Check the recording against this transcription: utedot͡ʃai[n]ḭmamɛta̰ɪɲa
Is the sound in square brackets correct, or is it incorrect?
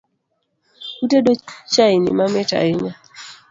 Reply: correct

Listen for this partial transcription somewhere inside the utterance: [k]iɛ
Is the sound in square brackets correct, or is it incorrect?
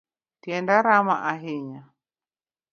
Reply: incorrect: t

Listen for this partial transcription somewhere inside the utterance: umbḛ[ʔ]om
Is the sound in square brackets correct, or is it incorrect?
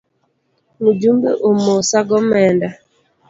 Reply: correct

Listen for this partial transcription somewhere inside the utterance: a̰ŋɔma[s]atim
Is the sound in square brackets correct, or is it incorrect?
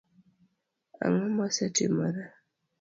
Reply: correct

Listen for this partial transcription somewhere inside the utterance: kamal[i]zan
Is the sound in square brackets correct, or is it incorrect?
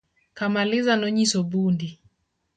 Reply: correct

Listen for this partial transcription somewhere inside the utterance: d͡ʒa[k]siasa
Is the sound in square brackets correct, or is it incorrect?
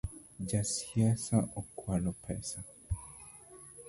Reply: incorrect: none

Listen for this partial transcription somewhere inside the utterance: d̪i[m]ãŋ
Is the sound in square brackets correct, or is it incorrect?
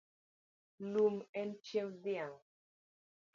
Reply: incorrect: none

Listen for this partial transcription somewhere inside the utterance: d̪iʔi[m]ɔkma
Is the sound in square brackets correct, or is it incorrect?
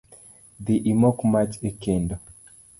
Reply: correct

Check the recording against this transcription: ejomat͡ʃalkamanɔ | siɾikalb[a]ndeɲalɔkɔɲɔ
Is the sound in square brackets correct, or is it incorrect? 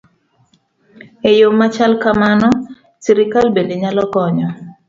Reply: incorrect: e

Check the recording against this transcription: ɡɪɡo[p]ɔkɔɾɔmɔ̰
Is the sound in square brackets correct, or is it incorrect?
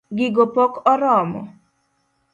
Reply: correct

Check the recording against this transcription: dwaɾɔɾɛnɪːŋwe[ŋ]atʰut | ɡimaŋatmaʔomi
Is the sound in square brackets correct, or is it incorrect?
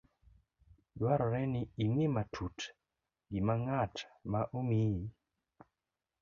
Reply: incorrect: m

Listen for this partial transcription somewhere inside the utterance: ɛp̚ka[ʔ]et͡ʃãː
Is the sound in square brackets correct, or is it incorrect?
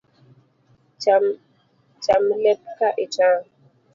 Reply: correct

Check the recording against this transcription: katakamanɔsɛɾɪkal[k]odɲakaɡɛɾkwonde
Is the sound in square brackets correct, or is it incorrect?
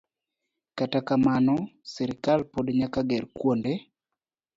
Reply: incorrect: p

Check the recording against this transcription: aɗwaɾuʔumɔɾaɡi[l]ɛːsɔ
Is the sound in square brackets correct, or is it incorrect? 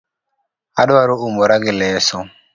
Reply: correct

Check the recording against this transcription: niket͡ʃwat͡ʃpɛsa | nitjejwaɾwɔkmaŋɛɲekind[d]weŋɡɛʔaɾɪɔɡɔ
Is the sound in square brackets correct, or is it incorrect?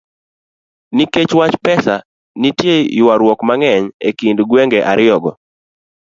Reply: incorrect: ɡ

